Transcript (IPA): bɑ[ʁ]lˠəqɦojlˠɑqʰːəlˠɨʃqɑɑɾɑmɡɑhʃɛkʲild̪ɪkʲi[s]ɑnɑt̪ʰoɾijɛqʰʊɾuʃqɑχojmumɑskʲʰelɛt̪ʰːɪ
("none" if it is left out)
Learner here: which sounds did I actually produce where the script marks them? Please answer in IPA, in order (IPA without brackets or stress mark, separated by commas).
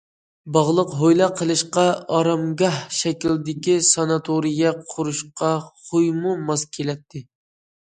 ʁ, s